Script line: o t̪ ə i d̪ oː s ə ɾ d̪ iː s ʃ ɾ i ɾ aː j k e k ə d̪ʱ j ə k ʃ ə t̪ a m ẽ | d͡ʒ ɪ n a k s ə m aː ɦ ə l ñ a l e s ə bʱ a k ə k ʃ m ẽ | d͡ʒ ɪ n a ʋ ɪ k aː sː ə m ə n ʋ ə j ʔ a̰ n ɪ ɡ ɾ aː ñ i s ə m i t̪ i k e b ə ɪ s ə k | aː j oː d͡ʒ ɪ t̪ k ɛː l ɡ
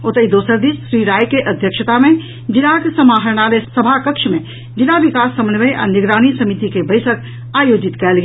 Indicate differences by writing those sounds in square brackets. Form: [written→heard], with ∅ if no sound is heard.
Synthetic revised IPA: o t̪ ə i d̪ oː s ə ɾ d̪ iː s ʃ ɾ i ɾ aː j k e [k→ʔ] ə d̪ʱ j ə k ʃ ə t̪ a m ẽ | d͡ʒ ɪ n a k s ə m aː ɦ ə [l→ɾ] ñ a l e s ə bʱ a k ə k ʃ m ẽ | d͡ʒ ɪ n a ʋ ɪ k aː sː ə m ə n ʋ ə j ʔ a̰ n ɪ ɡ ɾ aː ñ i s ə m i t̪ i k e b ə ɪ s ə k | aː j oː d͡ʒ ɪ t̪ k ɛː l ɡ